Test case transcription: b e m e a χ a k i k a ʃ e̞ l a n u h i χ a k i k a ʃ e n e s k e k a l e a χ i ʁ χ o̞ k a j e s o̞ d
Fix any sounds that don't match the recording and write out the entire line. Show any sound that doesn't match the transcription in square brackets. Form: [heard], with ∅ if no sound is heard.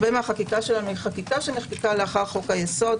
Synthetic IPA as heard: b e m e a χ a k i k a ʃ e̞ l a n u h i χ a k i k a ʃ e n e [χ] k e k a l e a χ [a] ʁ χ o̞ k a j e s o̞ d